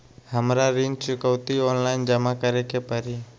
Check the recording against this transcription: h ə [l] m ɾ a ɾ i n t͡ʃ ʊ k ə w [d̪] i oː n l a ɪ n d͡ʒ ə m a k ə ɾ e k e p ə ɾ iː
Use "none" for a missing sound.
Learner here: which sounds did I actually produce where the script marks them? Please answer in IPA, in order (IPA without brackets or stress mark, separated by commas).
none, t̪